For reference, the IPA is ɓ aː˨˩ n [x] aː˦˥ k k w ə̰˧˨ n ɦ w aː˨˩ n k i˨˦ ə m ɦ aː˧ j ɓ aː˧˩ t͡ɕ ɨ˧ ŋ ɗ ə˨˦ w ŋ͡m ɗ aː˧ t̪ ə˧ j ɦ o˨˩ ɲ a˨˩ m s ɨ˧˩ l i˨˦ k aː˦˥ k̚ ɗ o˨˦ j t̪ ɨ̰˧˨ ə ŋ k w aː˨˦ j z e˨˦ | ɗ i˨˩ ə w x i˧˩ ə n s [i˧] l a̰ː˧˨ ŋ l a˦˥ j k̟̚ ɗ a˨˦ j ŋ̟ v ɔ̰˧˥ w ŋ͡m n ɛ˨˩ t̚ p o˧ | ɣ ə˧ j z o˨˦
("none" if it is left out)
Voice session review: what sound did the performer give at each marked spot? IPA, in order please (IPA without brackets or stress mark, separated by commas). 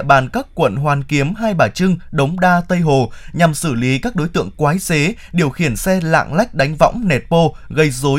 k, ɛ˧